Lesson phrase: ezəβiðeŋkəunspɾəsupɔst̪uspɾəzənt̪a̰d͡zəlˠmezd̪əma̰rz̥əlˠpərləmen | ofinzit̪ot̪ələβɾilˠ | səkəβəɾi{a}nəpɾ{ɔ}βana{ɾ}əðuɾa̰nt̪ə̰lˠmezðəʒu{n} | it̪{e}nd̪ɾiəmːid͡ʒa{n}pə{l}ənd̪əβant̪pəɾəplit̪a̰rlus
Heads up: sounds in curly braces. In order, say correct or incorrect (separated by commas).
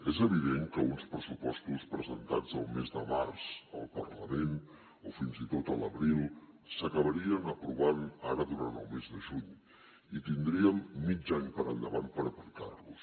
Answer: incorrect, incorrect, correct, incorrect, incorrect, incorrect, incorrect